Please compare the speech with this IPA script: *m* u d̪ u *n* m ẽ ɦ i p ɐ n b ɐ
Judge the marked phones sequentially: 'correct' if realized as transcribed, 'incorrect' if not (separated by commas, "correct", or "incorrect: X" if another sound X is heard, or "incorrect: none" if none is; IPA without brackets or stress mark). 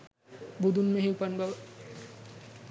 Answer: incorrect: b, correct